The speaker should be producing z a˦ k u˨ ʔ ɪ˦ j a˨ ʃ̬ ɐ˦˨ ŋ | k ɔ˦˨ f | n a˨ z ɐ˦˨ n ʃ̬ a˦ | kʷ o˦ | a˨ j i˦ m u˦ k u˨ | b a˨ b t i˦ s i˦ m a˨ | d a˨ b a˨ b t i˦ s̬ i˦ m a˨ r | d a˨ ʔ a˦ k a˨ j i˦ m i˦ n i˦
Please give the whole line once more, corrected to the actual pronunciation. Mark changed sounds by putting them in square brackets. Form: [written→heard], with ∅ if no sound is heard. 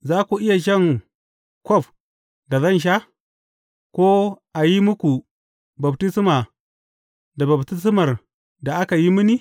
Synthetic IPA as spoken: z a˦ k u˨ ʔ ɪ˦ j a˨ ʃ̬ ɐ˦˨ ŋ | k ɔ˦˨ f | [n→d] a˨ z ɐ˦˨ n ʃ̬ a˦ | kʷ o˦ | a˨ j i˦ m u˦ k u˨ | b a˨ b t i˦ s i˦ m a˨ | d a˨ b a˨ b t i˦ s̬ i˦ m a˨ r | d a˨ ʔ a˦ k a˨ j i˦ m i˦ n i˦